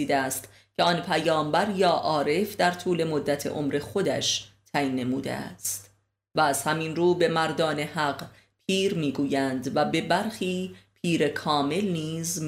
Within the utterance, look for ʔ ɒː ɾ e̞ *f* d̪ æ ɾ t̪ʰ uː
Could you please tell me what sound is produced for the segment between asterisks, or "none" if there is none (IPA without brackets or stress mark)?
f